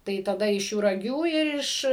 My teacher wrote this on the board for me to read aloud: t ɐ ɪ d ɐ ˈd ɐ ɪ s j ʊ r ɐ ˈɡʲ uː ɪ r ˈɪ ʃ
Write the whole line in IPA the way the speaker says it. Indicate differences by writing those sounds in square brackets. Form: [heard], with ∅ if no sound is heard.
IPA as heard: t ɐ ɪ [t] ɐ ˈd ɐ ɪ [ʃ] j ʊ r ɐ ˈɡʲ uː ɪ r ˈɪ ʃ